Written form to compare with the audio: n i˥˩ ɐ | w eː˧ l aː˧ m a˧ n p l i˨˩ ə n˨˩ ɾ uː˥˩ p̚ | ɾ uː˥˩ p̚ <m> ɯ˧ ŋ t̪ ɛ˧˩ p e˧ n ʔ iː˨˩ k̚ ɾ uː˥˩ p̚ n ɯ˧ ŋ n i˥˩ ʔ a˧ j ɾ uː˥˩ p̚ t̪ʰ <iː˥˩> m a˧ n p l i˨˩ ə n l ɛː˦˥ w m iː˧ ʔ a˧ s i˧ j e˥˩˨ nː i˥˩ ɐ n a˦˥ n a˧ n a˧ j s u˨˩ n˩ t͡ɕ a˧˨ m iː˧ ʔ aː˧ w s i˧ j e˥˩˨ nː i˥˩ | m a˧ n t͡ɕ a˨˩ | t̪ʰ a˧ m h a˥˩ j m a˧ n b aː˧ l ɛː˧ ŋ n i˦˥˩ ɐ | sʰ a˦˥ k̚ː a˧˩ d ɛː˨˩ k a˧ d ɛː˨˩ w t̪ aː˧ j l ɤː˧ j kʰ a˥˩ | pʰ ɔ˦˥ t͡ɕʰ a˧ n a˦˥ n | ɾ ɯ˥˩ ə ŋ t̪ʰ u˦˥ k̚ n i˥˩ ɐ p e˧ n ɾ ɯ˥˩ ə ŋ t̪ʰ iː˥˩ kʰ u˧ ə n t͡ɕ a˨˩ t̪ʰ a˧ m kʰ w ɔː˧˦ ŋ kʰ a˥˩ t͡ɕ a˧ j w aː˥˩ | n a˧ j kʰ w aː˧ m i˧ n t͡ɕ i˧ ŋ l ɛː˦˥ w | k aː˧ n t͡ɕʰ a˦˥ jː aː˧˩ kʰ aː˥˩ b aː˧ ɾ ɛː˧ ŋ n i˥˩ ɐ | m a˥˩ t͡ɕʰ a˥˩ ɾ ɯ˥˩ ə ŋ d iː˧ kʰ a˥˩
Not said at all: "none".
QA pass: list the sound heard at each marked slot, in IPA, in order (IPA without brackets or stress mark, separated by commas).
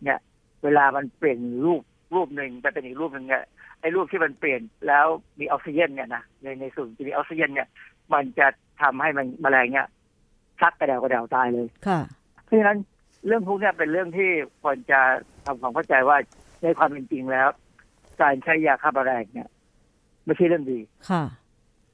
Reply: n, iː˥˩